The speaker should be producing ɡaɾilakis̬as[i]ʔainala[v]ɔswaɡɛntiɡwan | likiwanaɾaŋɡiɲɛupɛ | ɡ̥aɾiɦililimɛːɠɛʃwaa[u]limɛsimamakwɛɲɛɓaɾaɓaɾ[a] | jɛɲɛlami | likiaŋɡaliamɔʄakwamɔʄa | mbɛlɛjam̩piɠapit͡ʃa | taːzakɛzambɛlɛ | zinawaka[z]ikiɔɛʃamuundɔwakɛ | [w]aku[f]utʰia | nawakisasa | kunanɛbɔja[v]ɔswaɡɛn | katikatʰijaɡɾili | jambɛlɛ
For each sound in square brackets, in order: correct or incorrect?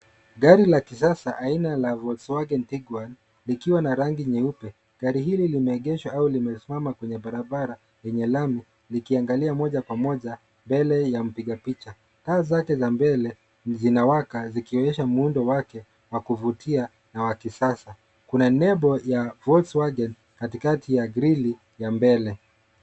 incorrect, correct, correct, correct, correct, correct, incorrect, correct

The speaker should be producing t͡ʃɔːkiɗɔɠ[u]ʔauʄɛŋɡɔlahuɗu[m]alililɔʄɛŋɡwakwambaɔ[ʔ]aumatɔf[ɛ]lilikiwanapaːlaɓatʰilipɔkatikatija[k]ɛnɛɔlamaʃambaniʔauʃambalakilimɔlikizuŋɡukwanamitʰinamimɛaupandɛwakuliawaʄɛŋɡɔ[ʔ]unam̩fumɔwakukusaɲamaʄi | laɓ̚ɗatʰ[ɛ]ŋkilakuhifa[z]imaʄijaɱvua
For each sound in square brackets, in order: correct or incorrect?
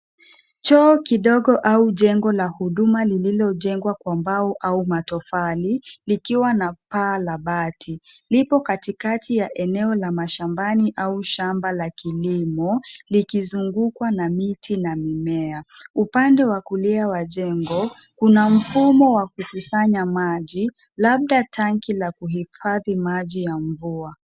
incorrect, correct, correct, incorrect, incorrect, incorrect, incorrect, incorrect

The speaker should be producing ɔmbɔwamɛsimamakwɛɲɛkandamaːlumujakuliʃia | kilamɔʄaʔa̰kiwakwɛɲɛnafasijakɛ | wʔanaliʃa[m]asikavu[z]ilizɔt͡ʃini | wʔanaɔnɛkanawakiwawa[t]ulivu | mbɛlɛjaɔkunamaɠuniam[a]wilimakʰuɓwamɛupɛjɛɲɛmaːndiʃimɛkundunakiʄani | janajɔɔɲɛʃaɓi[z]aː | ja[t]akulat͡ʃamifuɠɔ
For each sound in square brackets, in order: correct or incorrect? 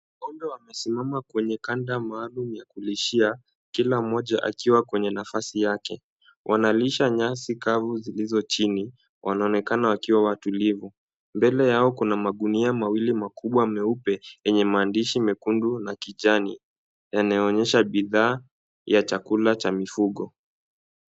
incorrect, correct, correct, correct, incorrect, incorrect

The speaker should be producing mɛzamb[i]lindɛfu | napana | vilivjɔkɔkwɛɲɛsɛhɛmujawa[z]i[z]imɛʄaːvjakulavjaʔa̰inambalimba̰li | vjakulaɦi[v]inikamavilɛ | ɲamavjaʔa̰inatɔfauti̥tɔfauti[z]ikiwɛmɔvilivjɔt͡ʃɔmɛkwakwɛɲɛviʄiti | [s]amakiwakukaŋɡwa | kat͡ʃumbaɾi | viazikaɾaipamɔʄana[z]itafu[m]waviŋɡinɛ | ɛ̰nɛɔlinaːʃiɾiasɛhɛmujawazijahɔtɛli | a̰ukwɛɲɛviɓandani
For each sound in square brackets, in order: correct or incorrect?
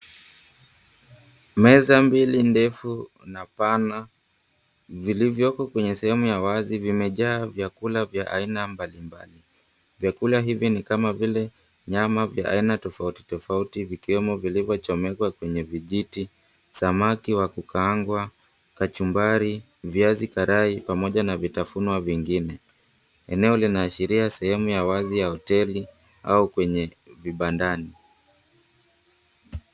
correct, correct, incorrect, correct, incorrect, correct, incorrect, incorrect

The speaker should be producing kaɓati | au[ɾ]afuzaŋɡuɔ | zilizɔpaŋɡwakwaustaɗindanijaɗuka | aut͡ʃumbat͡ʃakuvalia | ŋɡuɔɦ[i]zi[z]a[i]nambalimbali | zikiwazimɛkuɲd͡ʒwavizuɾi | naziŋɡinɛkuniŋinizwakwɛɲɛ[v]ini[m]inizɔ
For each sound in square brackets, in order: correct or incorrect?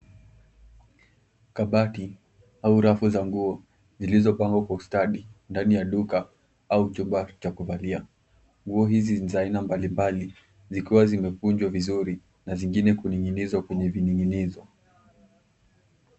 correct, correct, correct, correct, correct, incorrect

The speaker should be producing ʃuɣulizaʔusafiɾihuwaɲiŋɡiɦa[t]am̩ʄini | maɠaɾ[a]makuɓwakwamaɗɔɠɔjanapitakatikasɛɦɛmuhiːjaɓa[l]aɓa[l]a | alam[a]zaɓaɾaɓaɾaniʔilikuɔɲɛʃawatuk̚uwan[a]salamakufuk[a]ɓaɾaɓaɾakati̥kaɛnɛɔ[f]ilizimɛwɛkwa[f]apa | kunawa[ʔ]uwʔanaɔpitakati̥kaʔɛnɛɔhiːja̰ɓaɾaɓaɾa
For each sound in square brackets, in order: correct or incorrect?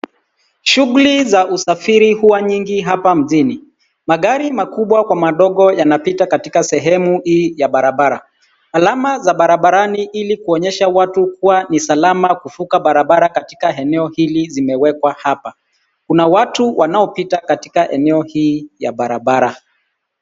incorrect, incorrect, incorrect, incorrect, correct, incorrect, correct, incorrect, incorrect, incorrect

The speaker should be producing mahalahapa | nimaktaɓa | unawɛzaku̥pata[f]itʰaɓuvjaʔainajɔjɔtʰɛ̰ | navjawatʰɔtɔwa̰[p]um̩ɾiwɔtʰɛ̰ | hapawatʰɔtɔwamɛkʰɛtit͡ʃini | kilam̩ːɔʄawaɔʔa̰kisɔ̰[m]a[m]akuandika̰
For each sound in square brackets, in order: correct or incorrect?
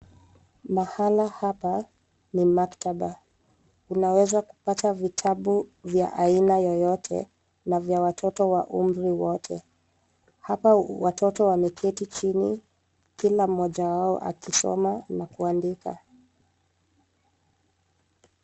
incorrect, incorrect, correct, incorrect

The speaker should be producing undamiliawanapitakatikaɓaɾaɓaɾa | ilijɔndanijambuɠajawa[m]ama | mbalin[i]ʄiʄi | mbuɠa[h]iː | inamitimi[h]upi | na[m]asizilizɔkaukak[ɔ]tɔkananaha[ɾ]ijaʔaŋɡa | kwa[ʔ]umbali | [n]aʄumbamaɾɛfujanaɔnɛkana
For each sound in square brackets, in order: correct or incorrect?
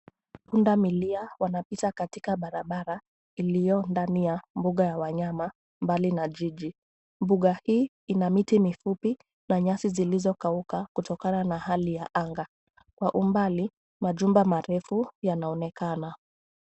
incorrect, incorrect, correct, incorrect, incorrect, incorrect, incorrect, correct, incorrect

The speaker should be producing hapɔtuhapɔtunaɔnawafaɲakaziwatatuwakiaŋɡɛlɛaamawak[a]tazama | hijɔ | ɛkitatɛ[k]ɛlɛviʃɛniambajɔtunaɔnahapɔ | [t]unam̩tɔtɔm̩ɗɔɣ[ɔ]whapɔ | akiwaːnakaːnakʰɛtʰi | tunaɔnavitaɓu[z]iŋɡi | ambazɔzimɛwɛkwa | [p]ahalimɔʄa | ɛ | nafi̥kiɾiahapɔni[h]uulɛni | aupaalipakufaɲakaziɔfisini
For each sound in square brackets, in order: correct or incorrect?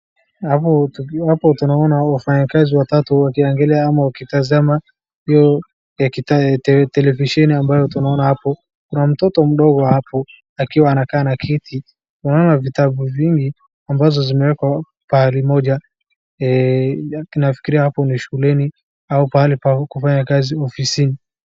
incorrect, incorrect, incorrect, correct, incorrect, correct, incorrect

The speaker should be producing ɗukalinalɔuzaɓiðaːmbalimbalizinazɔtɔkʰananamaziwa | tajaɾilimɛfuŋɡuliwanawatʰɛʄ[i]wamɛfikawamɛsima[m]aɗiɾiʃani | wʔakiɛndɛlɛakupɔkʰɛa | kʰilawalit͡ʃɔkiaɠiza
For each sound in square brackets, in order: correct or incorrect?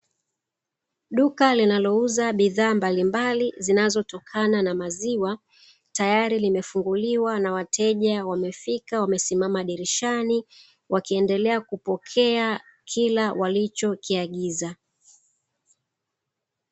incorrect, correct

